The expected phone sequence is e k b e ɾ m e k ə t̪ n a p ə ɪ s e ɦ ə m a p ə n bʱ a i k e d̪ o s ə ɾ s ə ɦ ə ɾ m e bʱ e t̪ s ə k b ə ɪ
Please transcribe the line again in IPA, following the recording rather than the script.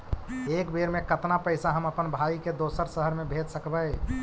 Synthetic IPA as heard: e k b e ɾ m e k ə t̪ n a p ə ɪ s a ɦ ə m ə p ə n bʱ a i k e d̪ o s ə ɾ s ə ɦ ə ɾ m e bʱ e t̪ s ə k b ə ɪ